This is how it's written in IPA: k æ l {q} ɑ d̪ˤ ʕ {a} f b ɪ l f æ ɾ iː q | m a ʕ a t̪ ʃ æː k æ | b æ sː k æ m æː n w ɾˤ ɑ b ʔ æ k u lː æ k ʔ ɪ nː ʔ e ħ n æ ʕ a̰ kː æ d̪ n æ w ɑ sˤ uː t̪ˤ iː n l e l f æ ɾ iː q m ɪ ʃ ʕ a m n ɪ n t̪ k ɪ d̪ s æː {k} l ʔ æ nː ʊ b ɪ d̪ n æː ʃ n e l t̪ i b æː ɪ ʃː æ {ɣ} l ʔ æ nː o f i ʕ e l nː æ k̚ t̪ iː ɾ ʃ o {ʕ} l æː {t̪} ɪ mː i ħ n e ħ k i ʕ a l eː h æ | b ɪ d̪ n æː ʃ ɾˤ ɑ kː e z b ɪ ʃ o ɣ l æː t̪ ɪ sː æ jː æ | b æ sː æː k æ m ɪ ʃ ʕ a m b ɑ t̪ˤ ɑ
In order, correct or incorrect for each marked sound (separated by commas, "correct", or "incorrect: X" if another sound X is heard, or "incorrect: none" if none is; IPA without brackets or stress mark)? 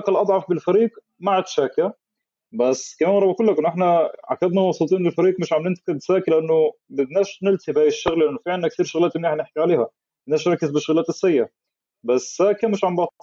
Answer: incorrect: ʔ, incorrect: ɑ, correct, correct, incorrect: ɣ, correct